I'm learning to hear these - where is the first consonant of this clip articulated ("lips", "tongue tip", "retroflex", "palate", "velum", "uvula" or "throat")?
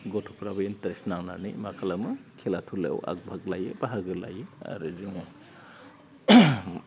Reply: velum